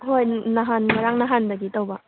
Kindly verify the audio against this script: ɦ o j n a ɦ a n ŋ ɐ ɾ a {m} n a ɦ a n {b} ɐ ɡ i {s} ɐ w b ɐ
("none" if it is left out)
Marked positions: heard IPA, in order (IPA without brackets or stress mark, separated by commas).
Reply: ŋ, d, t